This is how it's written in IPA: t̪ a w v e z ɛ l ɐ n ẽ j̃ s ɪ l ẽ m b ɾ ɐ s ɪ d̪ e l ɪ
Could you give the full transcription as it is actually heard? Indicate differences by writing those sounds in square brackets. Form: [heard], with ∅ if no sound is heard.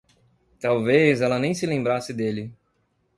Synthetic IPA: t̪ a w v e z ɛ l ɐ n ẽ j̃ s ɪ l ẽ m b ɾ [a] s ɪ d̪ e l ɪ